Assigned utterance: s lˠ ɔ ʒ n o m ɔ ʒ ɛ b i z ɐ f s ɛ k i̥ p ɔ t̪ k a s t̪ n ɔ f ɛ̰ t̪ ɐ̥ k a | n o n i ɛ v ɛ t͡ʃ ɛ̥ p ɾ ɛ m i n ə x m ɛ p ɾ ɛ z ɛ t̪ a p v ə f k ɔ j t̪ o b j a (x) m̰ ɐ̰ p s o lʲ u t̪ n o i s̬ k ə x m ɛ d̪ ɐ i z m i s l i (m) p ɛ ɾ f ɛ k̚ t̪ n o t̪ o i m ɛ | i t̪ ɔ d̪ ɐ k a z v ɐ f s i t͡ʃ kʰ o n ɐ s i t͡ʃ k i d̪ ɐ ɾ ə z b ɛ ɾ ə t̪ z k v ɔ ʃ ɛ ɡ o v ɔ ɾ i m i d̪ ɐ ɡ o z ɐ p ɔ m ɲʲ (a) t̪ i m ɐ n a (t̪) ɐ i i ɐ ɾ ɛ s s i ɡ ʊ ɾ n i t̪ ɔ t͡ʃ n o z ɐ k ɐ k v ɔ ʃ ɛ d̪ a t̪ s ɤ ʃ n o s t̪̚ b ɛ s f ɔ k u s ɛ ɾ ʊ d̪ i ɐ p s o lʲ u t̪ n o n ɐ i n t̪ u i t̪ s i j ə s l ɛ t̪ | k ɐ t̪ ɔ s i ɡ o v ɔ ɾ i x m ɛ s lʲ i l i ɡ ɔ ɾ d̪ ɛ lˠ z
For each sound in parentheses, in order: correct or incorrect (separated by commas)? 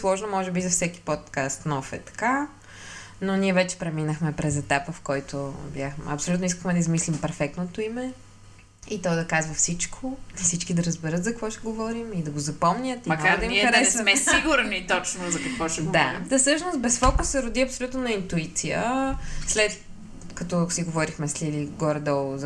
correct, correct, incorrect, incorrect